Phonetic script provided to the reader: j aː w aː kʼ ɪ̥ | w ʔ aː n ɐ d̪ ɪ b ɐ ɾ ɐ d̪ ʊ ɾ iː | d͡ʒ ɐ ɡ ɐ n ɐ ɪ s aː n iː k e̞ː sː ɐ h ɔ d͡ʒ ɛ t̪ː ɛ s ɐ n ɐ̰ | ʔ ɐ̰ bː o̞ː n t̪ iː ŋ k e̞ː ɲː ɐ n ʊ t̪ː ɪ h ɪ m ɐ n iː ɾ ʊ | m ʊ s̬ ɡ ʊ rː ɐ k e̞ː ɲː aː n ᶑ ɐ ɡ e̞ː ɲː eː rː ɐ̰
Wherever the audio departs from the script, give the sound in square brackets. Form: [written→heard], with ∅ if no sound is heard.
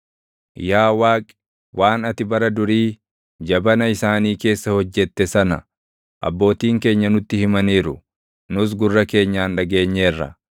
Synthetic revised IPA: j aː w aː kʼ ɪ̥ | w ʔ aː n ɐ [d̪→t̪] ɪ b ɐ ɾ ɐ d̪ ʊ ɾ iː | d͡ʒ ɐ [ɡ→b] ɐ n ɐ ɪ s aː n iː k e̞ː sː ɐ h ɔ [d͡ʒ→d͡ʒː] ɛ t̪ː ɛ s ɐ n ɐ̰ | ʔ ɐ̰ bː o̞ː [n→∅] t̪ iː ŋ k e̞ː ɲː ɐ n ʊ t̪ː ɪ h ɪ m ɐ n iː ɾ ʊ | [m→n] ʊ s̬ ɡ ʊ rː ɐ k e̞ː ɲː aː n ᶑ ɐ ɡ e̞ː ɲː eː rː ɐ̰